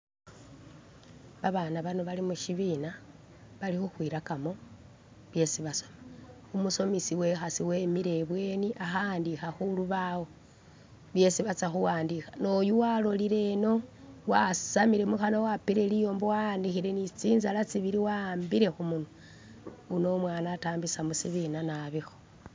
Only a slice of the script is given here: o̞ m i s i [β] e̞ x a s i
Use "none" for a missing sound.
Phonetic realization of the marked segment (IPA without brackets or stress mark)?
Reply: w